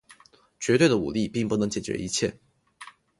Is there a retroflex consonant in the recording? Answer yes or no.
no